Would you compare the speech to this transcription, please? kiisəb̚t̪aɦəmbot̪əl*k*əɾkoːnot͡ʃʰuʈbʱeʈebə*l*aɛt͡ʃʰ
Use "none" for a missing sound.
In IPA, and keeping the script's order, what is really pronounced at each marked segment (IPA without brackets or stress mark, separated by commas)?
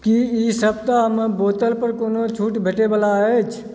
p, l